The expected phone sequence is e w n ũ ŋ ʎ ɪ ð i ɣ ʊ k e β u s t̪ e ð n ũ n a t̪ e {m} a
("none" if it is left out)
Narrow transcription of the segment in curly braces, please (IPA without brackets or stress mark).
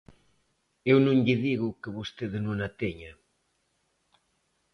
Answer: ɲ